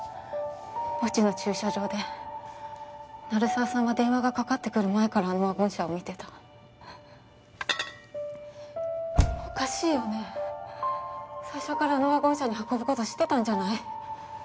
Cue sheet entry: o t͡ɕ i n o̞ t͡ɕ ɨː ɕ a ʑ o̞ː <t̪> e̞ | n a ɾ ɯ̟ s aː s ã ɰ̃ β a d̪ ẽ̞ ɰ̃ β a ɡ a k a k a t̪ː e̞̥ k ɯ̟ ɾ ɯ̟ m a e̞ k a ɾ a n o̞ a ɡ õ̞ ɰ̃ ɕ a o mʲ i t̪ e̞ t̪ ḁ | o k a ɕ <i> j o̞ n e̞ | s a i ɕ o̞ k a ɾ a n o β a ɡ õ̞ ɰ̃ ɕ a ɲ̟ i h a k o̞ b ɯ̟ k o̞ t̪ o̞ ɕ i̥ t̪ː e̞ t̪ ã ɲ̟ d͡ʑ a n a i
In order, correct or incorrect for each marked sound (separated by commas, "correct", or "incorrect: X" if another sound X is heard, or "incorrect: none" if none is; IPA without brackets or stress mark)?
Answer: incorrect: d̪, incorrect: iː